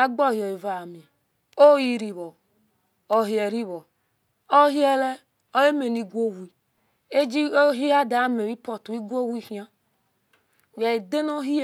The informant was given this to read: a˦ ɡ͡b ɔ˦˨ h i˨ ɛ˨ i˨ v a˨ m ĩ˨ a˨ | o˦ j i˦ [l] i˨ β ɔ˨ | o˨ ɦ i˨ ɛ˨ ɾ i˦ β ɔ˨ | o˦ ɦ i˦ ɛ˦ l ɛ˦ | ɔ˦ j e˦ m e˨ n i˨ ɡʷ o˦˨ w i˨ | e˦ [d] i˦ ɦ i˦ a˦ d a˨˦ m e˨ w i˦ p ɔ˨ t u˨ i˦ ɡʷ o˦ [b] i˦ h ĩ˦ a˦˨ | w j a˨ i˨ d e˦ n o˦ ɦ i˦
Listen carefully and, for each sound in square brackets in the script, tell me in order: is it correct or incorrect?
incorrect, incorrect, incorrect

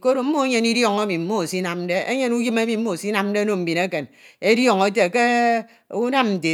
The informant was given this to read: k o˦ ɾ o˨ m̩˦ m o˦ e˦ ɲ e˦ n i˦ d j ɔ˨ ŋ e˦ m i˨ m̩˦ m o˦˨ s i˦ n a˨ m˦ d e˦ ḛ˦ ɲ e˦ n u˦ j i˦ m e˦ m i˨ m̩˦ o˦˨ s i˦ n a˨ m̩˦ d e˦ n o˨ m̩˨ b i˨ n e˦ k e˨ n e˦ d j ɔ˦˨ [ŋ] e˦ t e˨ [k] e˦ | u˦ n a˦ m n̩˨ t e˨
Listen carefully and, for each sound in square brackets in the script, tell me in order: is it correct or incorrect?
correct, correct

